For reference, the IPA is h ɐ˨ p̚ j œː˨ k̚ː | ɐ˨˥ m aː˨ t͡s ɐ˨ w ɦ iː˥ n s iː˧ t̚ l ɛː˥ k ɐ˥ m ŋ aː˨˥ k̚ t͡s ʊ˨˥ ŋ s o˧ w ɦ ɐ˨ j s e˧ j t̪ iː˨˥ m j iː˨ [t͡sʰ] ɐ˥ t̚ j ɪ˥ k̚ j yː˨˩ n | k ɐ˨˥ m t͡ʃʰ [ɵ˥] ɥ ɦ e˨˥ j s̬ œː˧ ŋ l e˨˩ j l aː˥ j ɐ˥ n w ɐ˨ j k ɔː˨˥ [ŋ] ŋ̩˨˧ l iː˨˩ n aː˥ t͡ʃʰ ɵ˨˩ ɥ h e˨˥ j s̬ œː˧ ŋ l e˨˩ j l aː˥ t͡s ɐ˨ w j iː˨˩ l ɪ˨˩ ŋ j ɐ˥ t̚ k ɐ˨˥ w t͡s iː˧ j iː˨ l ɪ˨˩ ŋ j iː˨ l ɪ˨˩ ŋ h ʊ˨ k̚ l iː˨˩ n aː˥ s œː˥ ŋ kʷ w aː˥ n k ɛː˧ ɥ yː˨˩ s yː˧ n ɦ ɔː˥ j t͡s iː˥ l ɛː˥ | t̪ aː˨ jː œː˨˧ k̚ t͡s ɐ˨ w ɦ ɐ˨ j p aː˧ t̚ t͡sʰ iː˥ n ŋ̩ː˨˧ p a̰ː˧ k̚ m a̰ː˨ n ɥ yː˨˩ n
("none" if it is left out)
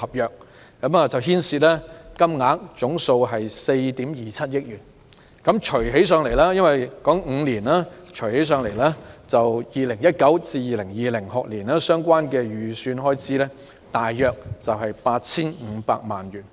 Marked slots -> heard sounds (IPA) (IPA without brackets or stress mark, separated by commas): t͡sʰ, ɵ˨˩, ŋ